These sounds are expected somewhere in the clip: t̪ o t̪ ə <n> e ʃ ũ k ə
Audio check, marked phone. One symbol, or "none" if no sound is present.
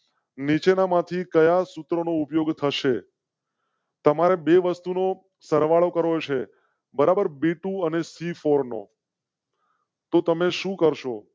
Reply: m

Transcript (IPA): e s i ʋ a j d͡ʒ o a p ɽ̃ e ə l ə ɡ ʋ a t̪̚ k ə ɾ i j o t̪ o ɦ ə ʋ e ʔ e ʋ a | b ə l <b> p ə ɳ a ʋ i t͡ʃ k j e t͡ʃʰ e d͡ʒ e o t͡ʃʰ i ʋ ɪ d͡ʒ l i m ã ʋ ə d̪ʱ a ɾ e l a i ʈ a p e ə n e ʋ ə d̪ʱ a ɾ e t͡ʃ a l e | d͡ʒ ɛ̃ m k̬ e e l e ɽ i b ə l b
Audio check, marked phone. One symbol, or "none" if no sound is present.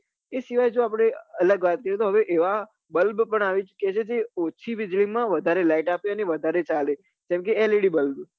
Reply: b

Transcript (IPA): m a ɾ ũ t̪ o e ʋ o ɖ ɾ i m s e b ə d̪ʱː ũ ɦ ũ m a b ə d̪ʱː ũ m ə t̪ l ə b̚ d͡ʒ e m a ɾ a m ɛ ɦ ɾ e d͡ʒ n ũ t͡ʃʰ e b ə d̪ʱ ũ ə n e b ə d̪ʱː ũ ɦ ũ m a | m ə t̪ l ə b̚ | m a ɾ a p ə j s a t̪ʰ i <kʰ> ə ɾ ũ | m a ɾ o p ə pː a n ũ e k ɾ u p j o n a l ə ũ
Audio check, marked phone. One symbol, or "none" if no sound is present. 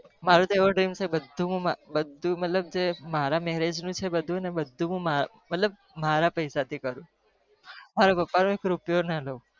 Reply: k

